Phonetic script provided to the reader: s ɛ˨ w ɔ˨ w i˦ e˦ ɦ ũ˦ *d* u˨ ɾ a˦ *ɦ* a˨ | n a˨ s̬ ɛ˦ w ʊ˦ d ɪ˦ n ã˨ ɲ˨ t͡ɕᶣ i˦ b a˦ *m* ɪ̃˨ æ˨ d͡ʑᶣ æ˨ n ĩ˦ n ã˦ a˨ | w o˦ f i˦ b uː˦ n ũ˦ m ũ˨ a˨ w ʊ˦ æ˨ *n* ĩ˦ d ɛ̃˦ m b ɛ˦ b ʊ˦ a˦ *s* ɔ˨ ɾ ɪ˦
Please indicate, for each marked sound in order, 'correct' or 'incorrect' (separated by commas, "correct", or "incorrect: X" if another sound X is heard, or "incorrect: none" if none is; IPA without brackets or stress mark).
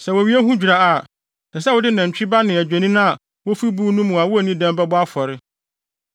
incorrect: d͡ʑᶣ, incorrect: none, incorrect: n, correct, incorrect: f